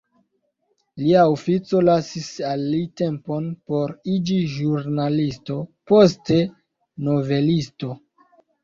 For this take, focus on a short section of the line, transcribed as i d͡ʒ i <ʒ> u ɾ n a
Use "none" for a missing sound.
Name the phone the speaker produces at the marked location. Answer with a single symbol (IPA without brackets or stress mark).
ʒ